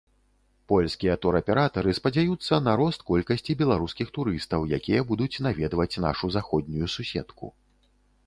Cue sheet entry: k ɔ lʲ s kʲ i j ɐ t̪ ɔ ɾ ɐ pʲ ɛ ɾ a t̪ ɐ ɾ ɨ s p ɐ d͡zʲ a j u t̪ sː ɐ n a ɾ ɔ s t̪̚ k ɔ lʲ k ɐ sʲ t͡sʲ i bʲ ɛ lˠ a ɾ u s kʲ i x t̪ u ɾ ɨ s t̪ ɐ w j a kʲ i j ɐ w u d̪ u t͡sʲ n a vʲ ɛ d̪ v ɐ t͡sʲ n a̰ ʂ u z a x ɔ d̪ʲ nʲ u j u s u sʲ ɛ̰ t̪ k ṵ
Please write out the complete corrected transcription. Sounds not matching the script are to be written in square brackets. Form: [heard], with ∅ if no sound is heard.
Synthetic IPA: [p] ɔ lʲ s kʲ i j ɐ t̪ ɔ ɾ ɐ pʲ ɛ ɾ a t̪ ɐ ɾ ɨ s p ɐ d͡zʲ a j u t̪ sː ɐ n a ɾ ɔ s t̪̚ k ɔ lʲ k ɐ sʲ t͡sʲ i bʲ ɛ lˠ a ɾ u s kʲ i x t̪ u ɾ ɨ s t̪ ɐ w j a kʲ i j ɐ [b] u d̪ u t͡sʲ n a vʲ ɛ d̪ v ɐ t͡sʲ n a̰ ʂ u z a x ɔ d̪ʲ nʲ u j u s u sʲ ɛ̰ t̪ k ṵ